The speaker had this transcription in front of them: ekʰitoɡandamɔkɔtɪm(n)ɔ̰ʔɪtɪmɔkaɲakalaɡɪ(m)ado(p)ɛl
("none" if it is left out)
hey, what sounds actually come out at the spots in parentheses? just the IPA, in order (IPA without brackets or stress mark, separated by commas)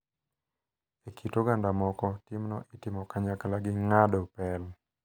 n, ŋ, p